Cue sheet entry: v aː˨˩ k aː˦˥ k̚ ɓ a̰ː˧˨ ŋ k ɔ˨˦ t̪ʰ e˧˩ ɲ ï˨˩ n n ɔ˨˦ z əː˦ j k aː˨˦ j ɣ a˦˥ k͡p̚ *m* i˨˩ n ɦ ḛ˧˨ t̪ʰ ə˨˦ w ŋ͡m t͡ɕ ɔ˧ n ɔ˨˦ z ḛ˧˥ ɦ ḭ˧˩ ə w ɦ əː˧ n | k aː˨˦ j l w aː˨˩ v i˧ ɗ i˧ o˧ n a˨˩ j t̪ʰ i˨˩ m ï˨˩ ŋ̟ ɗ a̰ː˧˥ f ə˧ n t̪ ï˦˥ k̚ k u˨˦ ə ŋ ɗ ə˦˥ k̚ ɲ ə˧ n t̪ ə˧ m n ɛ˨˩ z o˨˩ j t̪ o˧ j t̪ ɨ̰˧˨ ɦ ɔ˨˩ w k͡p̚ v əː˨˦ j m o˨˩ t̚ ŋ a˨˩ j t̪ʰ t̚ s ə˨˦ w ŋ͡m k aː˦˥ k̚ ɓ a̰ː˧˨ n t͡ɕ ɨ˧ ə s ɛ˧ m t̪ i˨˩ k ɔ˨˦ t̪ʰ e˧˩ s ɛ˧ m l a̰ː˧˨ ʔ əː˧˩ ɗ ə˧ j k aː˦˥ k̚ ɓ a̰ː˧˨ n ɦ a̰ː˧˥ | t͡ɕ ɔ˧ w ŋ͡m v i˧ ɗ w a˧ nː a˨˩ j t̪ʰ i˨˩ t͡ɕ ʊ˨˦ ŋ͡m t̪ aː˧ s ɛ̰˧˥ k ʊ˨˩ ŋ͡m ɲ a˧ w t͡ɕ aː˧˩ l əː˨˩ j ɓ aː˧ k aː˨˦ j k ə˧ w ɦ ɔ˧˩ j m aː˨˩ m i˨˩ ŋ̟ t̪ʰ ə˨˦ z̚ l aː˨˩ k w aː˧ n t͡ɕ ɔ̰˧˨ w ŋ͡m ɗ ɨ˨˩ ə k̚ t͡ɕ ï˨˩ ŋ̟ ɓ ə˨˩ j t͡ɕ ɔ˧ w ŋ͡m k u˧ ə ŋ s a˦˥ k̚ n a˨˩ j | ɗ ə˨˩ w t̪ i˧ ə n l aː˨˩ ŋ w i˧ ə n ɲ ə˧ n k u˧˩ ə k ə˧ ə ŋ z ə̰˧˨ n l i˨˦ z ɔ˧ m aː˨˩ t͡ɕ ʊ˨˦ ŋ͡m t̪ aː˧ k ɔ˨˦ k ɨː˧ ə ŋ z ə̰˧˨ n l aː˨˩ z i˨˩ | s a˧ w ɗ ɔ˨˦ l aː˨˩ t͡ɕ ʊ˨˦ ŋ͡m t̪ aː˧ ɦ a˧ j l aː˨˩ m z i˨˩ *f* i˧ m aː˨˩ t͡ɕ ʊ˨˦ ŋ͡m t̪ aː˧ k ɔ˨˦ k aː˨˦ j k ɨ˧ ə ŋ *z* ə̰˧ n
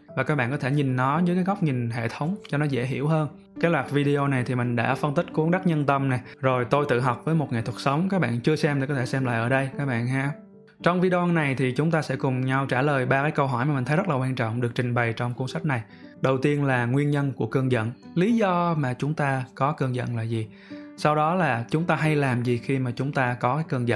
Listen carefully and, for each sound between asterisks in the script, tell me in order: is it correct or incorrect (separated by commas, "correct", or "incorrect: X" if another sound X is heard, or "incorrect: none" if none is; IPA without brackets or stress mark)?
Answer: incorrect: ɲ, incorrect: x, correct